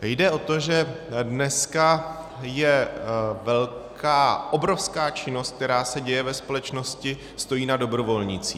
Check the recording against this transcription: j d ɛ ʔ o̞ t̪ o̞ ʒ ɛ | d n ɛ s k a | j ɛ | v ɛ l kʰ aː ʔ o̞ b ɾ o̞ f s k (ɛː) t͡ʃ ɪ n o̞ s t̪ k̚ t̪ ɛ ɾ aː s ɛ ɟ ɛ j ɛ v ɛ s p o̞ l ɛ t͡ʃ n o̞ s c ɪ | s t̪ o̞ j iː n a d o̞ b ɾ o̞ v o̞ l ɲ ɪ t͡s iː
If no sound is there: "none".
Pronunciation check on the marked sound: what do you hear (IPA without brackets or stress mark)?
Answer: aː